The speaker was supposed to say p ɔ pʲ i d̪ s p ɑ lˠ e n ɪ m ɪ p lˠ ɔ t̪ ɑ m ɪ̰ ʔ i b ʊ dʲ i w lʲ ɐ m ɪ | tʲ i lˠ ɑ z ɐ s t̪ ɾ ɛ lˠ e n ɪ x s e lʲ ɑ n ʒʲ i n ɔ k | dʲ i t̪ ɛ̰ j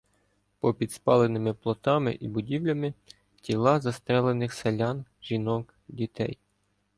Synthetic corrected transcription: p ɔ pʲ i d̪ s p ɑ lˠ e n ɪ m ɪ p lˠ ɔ t̪ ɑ m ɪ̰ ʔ i b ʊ dʲ i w lʲ ɐ m ɪ | tʲ i lˠ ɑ z ɐ s t̪ ɾ ɛ lˠ e n ɪ x s e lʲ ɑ n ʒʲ i n ɔ k | dʲ i t̪ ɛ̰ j